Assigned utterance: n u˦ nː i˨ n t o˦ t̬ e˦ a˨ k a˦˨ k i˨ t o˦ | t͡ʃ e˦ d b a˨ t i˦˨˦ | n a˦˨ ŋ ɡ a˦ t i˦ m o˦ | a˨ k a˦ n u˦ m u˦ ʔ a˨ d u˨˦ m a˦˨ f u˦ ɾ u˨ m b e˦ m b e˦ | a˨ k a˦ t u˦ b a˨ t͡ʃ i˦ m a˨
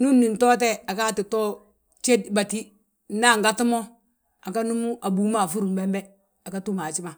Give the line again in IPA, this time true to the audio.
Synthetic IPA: n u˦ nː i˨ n t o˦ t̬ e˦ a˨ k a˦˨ t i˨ t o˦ | t͡ʃ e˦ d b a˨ t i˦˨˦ | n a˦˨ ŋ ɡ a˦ t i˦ m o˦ | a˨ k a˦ n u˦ m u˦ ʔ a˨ b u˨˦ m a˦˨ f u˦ ɾ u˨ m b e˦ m b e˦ | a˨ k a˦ t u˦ m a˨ t͡ʃ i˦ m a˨